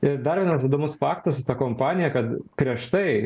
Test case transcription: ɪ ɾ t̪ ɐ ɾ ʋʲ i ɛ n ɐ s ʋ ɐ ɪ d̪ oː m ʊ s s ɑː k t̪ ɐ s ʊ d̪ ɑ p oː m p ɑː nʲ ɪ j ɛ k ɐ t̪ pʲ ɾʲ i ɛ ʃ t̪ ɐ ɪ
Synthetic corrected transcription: ɪ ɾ d̪ ɐ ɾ ʋʲ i ɛ n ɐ s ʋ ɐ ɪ d̪ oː m ʊ s f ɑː k t̪ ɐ s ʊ t̪ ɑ k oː m p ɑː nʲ ɪ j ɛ k ɐ t̪ pʲ ɾʲ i ɛ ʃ t̪ ɐ ɪ